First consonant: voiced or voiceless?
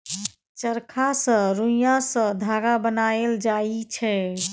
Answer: voiceless